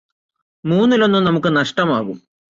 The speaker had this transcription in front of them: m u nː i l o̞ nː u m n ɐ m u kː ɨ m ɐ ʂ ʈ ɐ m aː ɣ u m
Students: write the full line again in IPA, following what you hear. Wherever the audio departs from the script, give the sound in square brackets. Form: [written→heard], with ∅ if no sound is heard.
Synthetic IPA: m [u→uː] nː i l o̞ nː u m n ɐ m u kː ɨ [m→n] ɐ ʂ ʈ ɐ m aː ɣ u m